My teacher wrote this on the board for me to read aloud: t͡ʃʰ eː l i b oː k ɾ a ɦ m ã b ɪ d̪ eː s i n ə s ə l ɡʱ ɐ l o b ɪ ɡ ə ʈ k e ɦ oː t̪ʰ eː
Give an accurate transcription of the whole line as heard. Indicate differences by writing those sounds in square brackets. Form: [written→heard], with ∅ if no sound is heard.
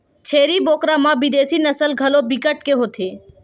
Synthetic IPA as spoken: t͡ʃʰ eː [l→ɾ] i b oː k ɾ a [ɦ→∅] m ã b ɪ d̪ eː s i n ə s ə l ɡʱ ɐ l o b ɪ [ɡ→k] ə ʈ k e ɦ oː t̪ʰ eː

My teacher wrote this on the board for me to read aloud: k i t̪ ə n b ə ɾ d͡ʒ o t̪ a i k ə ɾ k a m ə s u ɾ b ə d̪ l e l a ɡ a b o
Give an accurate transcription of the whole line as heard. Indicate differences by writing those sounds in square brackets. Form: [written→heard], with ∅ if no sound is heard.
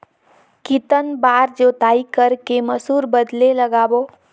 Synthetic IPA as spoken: k i t̪ ə n b [ə→a] ɾ d͡ʒ o t̪ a i k ə ɾ k [a→e] m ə s u ɾ b ə d̪ l e l [a→ə] ɡ a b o

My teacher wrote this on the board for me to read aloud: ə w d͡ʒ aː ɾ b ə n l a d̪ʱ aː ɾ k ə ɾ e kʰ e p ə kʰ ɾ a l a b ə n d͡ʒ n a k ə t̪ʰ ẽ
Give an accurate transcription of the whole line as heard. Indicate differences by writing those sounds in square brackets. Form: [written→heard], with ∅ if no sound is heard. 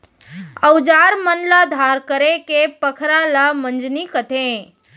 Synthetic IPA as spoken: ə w d͡ʒ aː ɾ [b→m] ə n l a d̪ʱ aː ɾ k ə ɾ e [kʰ→k] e p ə kʰ ɾ a l a [b→m] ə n d͡ʒ n [a→i] k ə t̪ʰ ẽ

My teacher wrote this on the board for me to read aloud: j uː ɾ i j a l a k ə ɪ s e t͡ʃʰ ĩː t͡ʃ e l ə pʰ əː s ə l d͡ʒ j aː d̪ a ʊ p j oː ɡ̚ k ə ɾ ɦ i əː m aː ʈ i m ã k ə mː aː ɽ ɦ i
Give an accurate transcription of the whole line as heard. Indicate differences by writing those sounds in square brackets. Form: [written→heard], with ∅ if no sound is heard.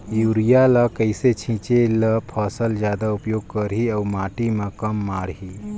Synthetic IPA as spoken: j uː ɾ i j a l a k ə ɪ s e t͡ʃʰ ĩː t͡ʃ e l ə pʰ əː s ə l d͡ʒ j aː d̪ a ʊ p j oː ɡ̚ k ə ɾ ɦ i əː m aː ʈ i m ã k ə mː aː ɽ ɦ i

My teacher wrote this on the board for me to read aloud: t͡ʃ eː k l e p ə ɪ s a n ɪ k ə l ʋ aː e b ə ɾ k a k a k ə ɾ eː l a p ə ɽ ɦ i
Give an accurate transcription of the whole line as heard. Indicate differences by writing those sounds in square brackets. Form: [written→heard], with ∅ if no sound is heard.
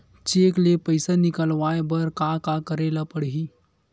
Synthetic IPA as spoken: t͡ʃ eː k l e p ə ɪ s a n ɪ k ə l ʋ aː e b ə ɾ k a k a k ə ɾ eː l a p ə ɽ ɦ i

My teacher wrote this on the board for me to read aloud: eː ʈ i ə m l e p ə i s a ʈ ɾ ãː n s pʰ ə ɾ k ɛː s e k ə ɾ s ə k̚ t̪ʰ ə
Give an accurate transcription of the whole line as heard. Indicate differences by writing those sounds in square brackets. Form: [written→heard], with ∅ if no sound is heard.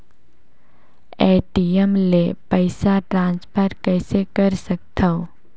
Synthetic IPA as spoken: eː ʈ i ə m l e p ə [i→ɪ] s a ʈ ɾ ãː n s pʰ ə ɾ k ɛː s e k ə ɾ s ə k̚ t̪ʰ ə

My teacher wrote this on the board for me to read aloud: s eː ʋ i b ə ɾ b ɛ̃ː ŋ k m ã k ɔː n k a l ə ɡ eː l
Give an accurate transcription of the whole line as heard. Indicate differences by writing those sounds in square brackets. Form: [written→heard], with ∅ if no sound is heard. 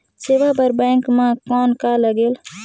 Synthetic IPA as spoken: s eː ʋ [i→a] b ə ɾ b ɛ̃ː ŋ k m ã k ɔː n k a l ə ɡ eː l

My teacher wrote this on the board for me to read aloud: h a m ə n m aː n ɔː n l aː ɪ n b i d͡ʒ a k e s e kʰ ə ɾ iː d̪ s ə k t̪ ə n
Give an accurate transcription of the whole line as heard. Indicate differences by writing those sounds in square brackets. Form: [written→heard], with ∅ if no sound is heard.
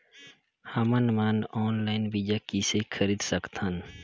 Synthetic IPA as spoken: h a m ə n m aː n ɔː n l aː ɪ n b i d͡ʒ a k [e→i] s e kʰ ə ɾ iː d̪ s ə k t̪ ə n

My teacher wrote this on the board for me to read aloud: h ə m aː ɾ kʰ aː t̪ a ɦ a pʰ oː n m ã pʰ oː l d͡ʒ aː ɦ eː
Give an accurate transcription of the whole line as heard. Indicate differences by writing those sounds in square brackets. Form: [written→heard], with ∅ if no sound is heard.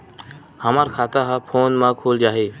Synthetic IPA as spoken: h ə m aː ɾ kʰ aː t̪ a ɦ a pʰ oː n m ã [pʰ→kʰ] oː l d͡ʒ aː ɦ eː

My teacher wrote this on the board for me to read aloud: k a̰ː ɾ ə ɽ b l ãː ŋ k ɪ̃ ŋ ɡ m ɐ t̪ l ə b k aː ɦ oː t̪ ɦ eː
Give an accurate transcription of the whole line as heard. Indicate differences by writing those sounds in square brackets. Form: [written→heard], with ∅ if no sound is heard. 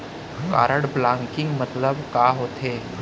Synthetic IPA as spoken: k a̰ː ɾ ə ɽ b l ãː ŋ k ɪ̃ ŋ ɡ m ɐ t̪ l ə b k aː ɦ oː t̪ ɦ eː

